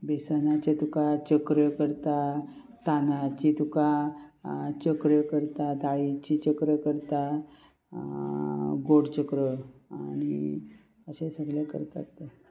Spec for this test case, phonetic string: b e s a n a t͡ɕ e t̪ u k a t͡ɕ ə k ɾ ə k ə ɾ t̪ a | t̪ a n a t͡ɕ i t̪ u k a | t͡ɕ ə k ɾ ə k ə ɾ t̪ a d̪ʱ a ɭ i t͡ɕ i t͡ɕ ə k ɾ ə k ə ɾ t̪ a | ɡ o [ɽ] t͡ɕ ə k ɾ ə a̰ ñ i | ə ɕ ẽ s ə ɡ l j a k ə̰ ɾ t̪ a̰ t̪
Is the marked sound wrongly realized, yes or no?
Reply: no